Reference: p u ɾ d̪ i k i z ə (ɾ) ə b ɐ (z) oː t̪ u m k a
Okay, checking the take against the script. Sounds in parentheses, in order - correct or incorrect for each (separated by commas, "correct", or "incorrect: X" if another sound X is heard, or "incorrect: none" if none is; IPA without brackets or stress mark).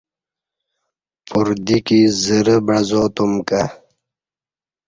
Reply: correct, correct